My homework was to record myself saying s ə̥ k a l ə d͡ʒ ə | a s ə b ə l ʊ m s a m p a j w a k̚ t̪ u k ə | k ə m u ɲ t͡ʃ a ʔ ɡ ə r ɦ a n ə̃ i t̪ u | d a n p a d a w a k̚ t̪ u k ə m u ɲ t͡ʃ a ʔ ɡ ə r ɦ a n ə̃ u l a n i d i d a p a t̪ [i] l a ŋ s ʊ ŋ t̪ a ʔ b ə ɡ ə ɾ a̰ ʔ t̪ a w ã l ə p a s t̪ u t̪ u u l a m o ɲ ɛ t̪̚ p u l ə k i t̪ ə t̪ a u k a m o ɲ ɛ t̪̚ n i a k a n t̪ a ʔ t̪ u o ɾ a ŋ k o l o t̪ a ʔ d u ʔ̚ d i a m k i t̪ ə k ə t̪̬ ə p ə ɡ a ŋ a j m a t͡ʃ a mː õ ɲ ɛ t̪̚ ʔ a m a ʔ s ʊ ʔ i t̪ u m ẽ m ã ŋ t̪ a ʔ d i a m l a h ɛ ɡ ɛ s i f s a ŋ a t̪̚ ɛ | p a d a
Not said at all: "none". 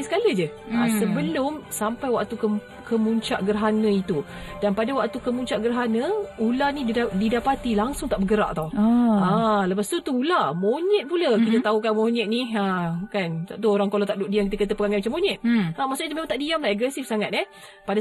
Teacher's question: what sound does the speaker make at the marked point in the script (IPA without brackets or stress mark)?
i